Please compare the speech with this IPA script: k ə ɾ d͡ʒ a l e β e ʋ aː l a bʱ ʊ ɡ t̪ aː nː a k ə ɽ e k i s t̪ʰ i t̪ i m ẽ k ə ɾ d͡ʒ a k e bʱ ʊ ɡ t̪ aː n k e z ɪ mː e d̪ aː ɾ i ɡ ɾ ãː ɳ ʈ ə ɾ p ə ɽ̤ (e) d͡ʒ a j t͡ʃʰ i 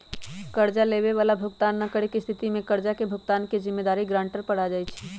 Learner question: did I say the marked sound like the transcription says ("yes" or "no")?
no